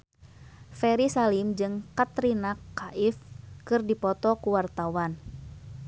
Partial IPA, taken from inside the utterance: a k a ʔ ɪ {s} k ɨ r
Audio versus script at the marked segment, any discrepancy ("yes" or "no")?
yes